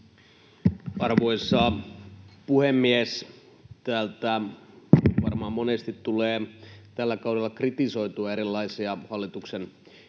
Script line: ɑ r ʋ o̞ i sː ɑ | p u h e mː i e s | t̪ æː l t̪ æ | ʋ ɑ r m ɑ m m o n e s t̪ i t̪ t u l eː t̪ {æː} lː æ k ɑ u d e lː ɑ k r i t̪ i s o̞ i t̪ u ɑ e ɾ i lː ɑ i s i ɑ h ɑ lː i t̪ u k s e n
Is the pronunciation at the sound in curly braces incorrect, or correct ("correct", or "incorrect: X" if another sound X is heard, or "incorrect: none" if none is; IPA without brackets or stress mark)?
incorrect: æ